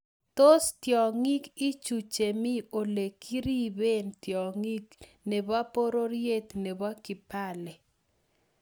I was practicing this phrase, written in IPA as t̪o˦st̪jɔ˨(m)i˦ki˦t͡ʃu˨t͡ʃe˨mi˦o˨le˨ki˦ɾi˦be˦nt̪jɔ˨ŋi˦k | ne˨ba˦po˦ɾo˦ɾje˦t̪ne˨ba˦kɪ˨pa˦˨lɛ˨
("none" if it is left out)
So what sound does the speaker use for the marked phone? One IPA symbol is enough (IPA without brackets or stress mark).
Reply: ŋ